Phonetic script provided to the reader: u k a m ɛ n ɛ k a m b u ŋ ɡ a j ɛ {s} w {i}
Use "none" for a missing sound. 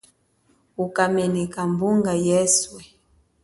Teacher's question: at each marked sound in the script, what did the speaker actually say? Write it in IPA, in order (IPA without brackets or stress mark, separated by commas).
s, ɛ